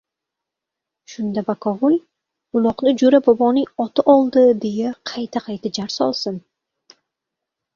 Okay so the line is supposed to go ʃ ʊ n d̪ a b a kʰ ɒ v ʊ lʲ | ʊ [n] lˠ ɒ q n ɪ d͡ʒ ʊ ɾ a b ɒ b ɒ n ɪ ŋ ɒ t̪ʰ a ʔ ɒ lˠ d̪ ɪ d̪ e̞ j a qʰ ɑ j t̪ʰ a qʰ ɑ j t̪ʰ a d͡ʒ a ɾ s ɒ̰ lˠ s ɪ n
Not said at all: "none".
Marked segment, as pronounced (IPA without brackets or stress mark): none